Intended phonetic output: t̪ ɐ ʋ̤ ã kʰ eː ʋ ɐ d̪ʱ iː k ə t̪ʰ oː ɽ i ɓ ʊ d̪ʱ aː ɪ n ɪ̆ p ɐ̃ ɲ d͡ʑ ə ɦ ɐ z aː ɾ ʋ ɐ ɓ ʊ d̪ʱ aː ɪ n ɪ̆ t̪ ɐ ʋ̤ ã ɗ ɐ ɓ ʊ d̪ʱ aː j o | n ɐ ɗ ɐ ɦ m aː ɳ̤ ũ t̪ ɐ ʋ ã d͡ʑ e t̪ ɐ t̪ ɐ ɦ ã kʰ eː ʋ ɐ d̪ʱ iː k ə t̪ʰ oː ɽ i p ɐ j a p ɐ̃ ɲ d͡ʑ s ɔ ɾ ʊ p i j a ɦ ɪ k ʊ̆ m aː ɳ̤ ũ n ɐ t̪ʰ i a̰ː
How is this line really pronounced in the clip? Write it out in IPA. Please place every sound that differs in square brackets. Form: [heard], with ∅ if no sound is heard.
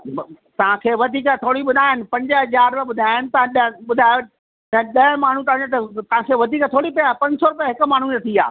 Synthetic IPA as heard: t̪ ɐ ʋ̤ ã kʰ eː ʋ ɐ d̪ʱ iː k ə t̪ʰ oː ɽ i ɓ ʊ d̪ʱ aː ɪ n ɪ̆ p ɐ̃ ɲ d͡ʑ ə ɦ ɐ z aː ɾ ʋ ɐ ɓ ʊ d̪ʱ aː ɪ n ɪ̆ t̪ ɐ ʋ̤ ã ɗ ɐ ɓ ʊ d̪ʱ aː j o | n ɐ ɗ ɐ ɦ m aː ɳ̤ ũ t̪ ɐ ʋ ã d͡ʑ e t̪ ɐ t̪ ɐ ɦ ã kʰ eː ʋ ɐ d̪ʱ iː k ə t̪ʰ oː ɽ i p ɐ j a p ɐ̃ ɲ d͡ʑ s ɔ ɾ ʊ p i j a ɦ ɪ k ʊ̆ m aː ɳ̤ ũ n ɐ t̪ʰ i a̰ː